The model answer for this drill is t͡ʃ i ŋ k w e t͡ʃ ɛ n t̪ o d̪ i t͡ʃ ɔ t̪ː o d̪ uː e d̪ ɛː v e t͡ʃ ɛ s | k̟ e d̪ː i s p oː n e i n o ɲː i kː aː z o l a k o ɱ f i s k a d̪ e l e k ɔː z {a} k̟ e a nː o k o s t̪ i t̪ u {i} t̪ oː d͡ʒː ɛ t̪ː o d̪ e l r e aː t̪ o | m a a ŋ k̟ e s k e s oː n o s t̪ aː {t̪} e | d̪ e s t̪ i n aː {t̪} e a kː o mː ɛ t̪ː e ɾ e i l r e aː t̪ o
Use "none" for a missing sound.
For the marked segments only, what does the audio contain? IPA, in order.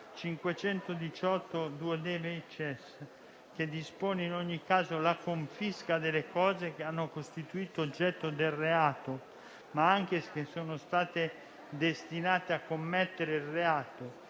e, iː, t̪, t̪

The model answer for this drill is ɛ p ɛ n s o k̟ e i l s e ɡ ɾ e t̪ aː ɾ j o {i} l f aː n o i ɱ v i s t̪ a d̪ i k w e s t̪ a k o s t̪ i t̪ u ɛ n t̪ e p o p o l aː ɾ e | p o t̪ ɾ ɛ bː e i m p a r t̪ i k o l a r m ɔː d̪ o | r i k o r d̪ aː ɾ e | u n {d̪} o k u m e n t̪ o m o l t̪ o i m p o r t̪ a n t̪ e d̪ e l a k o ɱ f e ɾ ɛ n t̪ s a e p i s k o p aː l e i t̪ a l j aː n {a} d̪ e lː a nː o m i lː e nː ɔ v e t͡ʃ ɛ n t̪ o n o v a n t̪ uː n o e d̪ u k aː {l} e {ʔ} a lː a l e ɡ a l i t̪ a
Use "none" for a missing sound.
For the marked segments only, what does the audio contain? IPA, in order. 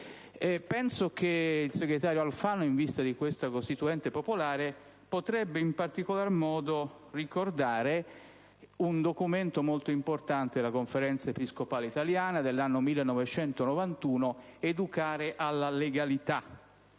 a, d̪, a, ɾ, ʔ

